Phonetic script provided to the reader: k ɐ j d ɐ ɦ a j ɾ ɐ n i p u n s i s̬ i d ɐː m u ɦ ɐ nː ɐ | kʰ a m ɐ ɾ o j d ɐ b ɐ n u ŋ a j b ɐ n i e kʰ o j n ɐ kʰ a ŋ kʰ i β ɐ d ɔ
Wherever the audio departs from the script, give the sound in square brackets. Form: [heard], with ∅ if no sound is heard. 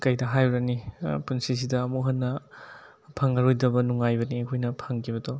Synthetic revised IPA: k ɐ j d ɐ ɦ a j ɾ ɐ n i p u n s i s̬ i d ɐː m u ɦ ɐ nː ɐ | [pʰ] a [ŋ] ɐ ɾ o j d ɐ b ɐ n u ŋ a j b ɐ n i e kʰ o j n ɐ [pʰ] a ŋ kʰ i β ɐ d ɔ